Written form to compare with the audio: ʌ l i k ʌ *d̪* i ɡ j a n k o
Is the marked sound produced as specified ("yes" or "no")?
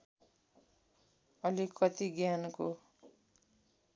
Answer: no